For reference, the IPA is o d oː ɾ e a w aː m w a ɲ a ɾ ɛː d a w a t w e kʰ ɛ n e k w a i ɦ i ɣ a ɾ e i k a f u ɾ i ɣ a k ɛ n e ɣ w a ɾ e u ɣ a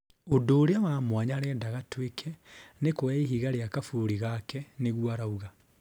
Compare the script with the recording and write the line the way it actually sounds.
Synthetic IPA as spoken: o d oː ɾ e a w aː m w a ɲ a ɾ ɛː d a ɣ a t w e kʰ ɛ n e k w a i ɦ i ɣ a ɾ e a k a f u ɾ i ɣ a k ɛ n e ɣ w a ɾ a u ɣ a